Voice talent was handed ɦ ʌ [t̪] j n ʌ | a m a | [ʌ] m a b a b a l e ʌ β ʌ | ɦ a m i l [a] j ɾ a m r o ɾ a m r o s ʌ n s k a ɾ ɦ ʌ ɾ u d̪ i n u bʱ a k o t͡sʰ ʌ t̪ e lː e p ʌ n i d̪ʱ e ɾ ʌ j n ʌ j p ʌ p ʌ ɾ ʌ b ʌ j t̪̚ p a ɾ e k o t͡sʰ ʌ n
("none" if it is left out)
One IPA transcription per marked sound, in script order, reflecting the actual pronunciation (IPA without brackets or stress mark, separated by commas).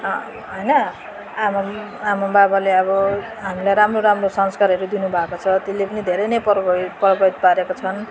none, a, a